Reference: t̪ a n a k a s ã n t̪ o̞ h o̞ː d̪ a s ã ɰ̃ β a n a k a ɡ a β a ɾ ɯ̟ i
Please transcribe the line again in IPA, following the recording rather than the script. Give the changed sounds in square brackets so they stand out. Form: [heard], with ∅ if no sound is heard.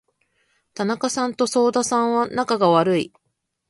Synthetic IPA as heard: t̪ a n a k a s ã n t̪ o̞ [s] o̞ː d̪ a s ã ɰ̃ β a n a k a ɡ a β a ɾ ɯ̟ i